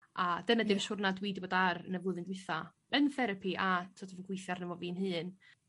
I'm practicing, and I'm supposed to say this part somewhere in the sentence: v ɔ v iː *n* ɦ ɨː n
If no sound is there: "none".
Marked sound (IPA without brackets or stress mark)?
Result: n